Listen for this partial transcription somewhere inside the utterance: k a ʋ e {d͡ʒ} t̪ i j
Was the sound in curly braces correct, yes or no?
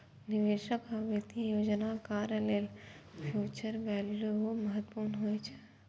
no